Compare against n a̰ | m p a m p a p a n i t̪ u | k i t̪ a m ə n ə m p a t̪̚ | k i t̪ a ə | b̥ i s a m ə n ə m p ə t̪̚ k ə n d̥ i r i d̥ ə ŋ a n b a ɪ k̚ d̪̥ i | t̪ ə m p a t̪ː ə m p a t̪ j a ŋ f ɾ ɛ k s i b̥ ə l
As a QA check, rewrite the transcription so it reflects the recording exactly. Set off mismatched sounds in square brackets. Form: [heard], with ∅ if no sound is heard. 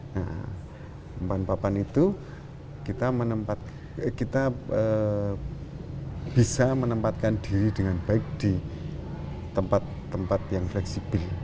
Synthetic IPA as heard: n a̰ | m p a [n] p a p a n i t̪ u | k i t̪ a m ə n ə m p a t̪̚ | k i t̪ a ə | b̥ i s a m ə n ə m p [a] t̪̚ k [a] n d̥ i [ɾ] i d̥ ə ŋ a n b a ɪ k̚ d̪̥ i | t̪ ə m p a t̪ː ə m p a t̪ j a ŋ f [l] ɛ k s i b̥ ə l